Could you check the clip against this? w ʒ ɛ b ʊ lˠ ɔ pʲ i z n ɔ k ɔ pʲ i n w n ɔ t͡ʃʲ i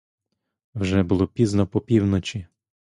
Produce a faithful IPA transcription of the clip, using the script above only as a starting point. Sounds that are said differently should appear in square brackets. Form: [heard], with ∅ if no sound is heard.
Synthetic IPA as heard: w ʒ ɛ b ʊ lˠ ɔ pʲ i z n ɔ [p] ɔ pʲ i [∅] w n ɔ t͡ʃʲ i